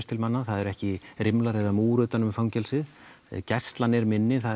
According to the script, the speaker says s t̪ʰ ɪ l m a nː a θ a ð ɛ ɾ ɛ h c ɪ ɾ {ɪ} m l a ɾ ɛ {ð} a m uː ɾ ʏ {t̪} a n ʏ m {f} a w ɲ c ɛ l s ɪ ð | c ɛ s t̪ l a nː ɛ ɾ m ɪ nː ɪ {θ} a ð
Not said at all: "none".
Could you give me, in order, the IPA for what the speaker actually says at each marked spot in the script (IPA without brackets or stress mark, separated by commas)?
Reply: ɪ, ð, t̪, f, θ